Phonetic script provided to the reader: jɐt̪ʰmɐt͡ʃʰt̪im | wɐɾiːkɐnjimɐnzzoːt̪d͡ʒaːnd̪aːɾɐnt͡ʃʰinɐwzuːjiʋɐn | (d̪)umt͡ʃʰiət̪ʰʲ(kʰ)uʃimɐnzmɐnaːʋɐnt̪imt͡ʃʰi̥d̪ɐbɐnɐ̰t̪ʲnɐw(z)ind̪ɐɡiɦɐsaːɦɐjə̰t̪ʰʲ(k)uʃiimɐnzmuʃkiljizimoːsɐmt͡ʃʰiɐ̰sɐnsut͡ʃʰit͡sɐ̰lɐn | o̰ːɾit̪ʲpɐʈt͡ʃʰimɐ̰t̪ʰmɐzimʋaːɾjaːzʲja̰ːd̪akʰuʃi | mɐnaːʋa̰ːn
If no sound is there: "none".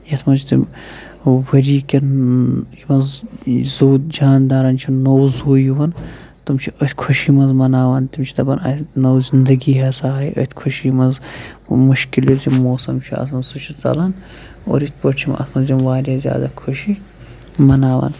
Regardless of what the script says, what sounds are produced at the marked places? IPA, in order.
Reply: t̪, kʰ, z, kʰ

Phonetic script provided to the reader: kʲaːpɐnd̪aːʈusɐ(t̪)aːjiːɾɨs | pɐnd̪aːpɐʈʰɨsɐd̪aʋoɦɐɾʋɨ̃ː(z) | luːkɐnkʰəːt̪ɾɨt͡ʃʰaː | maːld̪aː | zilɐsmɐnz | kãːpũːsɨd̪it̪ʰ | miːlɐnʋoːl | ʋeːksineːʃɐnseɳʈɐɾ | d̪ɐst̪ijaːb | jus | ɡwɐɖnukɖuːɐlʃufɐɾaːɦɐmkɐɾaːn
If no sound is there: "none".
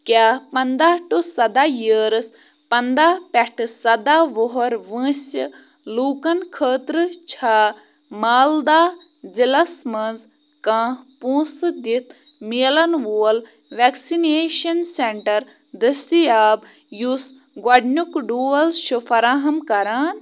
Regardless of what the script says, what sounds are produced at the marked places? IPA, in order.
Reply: d̪, s

